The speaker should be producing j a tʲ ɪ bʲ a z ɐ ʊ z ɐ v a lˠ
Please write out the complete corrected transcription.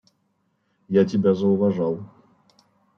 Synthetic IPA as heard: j a tʲ ɪ bʲ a z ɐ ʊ v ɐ ʐ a lˠ